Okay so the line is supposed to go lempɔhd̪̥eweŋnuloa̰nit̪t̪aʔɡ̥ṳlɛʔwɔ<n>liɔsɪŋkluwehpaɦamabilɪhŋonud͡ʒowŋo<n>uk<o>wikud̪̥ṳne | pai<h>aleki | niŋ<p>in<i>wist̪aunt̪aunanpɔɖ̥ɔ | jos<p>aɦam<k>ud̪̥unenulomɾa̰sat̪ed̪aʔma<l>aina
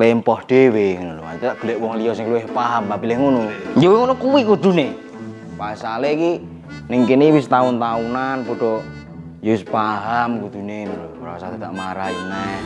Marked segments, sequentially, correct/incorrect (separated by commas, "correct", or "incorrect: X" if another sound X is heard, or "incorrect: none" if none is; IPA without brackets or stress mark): incorrect: ŋ, correct, incorrect: u, incorrect: s, incorrect: k, correct, correct, correct, incorrect: ɾ